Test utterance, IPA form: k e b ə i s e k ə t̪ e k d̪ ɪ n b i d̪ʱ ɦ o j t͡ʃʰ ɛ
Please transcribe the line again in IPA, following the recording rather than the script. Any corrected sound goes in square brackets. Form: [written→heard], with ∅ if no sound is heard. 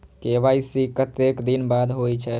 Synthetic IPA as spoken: k e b [ə→a] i s [e→i] k ə t̪ e k d̪ [ɪ→i] n b [i→a] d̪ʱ ɦ o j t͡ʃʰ ɛ